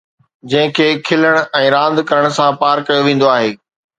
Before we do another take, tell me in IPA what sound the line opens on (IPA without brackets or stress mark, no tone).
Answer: d͡ʑ